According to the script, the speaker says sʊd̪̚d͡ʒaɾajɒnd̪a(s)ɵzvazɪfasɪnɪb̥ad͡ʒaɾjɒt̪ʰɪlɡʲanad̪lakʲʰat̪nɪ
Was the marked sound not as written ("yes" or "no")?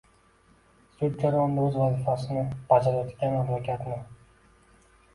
yes